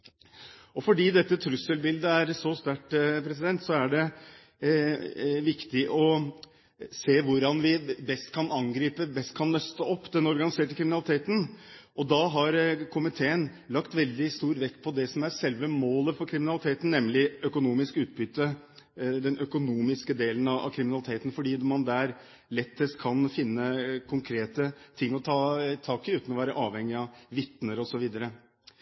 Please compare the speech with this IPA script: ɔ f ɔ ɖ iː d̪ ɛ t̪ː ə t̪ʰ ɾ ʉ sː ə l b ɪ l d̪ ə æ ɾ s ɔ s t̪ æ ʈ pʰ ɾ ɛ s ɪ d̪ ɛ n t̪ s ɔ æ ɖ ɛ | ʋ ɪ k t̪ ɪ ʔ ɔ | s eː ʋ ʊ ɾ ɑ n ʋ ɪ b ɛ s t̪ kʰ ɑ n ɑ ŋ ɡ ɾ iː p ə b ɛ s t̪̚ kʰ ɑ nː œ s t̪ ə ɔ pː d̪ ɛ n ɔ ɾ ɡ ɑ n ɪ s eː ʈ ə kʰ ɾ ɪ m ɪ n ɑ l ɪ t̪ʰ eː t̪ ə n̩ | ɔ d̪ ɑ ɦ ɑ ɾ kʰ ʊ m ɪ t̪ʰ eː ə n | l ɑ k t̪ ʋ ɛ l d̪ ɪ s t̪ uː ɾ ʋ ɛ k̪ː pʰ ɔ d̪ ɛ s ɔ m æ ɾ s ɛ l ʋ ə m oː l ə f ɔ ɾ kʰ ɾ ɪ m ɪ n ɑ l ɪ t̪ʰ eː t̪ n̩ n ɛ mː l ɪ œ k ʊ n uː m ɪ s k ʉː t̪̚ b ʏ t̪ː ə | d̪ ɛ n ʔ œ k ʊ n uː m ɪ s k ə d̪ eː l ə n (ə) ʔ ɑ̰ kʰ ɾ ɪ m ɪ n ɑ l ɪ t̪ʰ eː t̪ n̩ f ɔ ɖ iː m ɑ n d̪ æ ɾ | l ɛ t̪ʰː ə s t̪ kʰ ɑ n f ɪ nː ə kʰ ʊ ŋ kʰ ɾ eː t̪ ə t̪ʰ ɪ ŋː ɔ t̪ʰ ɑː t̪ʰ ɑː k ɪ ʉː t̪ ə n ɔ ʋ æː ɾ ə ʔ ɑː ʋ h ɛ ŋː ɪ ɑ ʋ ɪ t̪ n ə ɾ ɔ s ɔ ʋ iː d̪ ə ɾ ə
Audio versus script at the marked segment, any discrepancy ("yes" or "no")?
yes